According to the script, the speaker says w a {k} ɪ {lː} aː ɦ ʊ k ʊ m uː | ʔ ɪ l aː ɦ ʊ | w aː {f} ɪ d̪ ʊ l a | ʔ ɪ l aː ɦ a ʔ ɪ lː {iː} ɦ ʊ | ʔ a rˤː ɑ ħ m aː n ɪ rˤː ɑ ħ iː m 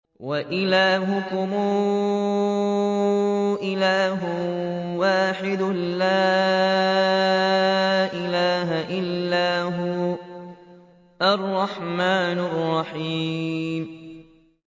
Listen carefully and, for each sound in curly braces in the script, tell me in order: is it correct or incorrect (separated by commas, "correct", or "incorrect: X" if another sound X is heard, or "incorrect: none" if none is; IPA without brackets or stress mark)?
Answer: incorrect: ʔ, incorrect: l, incorrect: ħ, incorrect: aː